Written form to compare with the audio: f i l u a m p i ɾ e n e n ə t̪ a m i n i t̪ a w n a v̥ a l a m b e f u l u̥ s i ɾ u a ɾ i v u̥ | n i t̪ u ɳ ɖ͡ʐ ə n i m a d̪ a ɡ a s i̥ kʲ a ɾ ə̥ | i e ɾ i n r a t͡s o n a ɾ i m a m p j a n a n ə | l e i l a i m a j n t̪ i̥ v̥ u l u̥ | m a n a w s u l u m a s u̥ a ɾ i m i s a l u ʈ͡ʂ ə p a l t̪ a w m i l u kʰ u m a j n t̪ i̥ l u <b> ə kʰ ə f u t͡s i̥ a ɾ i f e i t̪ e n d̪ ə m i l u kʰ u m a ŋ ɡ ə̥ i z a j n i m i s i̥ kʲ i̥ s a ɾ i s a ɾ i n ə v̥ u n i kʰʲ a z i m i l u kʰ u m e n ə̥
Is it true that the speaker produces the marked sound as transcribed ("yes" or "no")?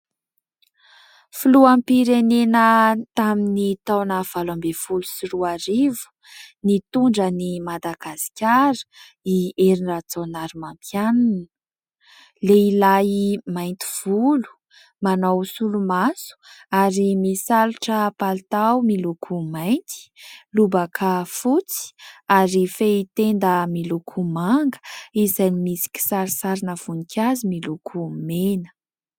yes